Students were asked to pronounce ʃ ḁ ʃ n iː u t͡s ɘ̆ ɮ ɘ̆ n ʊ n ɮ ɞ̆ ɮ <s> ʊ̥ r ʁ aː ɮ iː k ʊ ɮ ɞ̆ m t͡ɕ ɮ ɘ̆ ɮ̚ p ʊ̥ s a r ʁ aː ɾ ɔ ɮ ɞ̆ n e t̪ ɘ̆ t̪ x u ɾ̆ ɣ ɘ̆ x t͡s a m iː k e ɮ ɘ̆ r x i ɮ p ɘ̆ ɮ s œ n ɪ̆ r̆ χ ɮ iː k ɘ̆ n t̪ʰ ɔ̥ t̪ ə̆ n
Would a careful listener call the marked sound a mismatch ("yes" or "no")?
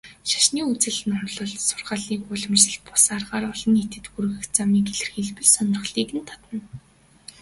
no